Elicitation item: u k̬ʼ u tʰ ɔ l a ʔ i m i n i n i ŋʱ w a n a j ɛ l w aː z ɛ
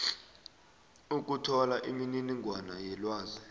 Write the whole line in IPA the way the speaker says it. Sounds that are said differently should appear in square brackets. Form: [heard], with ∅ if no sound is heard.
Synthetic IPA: u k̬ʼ u tʰ ɔ l a ʔ i m i n i n i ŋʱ w a n a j ɛ l w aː z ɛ